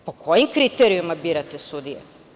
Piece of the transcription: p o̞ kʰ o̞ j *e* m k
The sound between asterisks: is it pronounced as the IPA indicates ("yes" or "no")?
no